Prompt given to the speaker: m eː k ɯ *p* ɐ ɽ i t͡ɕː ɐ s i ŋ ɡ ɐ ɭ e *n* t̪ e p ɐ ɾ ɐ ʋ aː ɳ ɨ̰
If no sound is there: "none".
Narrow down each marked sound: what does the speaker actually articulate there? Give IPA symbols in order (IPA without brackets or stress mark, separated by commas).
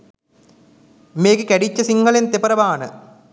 k, n